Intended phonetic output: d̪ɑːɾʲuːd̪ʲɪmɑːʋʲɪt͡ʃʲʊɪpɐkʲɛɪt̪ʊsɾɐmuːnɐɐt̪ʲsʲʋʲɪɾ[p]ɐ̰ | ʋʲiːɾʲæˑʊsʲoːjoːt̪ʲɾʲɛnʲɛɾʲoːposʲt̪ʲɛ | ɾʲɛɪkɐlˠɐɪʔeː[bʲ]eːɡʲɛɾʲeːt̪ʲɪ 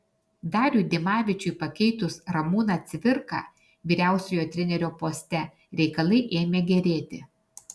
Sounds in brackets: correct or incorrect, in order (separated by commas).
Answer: incorrect, incorrect